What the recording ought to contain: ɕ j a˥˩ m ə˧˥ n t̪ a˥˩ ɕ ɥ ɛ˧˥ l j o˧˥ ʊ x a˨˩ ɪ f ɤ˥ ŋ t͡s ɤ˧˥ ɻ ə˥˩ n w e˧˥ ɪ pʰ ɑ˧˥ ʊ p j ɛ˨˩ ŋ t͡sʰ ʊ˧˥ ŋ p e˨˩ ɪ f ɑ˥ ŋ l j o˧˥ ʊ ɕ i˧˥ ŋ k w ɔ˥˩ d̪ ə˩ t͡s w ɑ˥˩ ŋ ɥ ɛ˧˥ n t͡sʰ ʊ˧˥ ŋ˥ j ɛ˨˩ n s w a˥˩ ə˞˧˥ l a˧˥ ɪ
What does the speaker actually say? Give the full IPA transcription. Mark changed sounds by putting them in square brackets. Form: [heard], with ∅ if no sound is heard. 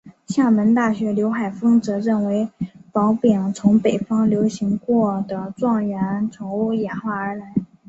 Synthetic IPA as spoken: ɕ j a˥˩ m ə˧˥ n t̪ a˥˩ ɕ ɥ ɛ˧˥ l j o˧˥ ʊ x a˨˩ ɪ f ɤ˥ ŋ t͡s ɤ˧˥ ɻ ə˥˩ n w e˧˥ ɪ [p] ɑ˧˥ ʊ p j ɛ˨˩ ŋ t͡sʰ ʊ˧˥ ŋ p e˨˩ ɪ f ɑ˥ ŋ l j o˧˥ ʊ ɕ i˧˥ ŋ k w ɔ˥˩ d̪ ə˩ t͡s w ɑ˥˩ ŋ ɥ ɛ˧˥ n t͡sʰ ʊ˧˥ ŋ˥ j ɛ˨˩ n [x] w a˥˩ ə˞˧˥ l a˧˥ ɪ